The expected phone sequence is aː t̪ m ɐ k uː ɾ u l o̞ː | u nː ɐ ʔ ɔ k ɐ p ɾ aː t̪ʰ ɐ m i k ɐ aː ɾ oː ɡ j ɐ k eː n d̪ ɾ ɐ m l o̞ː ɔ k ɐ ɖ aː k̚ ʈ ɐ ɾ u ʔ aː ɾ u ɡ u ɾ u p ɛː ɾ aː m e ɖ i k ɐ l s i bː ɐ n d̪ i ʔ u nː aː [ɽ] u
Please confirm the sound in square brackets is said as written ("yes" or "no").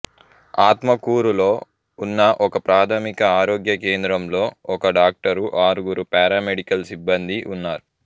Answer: no